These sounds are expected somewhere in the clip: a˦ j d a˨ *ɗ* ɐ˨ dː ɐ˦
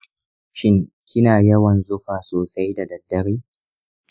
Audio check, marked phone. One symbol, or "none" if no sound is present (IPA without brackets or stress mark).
d